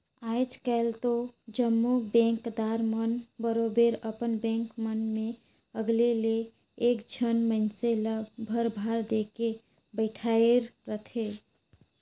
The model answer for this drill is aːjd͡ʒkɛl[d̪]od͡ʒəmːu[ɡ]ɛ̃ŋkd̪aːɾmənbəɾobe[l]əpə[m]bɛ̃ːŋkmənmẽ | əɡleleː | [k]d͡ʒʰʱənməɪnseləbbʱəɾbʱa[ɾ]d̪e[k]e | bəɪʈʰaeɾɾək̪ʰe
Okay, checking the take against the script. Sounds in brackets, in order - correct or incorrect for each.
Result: incorrect: t̪, incorrect: b, incorrect: ɾ, incorrect: n, correct, correct, correct

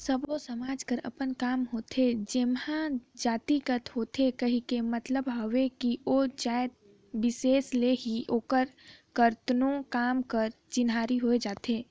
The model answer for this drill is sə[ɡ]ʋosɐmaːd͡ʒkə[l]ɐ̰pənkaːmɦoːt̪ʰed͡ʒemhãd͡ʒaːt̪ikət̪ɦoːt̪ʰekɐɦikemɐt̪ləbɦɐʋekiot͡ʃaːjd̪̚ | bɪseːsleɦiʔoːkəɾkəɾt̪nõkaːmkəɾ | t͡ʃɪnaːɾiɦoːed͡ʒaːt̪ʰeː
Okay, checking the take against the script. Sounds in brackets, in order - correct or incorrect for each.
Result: incorrect: b, incorrect: ɾ

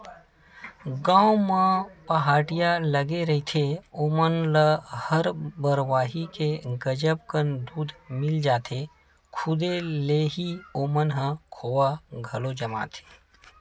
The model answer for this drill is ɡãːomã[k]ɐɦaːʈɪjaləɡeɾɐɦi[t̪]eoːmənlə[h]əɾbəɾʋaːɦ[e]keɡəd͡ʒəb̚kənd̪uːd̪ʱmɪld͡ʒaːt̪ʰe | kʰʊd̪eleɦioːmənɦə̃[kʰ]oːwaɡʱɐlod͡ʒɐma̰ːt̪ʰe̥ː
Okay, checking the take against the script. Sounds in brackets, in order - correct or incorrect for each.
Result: incorrect: p, incorrect: t̪ʰ, correct, incorrect: i, correct

